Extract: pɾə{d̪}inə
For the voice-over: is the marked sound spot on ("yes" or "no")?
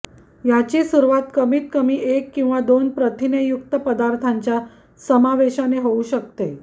no